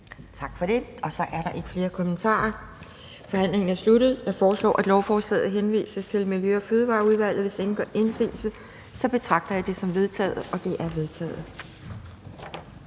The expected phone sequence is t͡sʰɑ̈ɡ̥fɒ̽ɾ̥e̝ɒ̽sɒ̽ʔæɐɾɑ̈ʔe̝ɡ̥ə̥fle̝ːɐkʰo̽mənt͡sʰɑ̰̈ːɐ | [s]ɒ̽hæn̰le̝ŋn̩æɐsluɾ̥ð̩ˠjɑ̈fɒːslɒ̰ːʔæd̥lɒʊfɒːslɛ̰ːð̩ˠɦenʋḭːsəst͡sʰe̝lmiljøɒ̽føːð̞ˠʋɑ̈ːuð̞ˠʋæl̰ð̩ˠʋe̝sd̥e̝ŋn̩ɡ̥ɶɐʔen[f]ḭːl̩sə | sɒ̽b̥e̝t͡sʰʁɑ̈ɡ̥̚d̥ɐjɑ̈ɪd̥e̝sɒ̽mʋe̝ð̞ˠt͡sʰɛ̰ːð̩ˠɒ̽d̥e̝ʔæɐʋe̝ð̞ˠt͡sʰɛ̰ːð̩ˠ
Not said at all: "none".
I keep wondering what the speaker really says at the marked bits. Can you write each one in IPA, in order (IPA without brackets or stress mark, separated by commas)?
f, s